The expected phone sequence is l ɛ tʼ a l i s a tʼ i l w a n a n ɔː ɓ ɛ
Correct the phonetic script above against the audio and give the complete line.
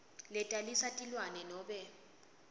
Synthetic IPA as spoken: l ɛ tʼ a l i s a tʼ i l w a n ɛ n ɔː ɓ ɛ